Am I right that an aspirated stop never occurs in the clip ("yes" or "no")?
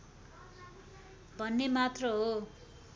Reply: yes